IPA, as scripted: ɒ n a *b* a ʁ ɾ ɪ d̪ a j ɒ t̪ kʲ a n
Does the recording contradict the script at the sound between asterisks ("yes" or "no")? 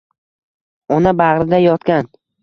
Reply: no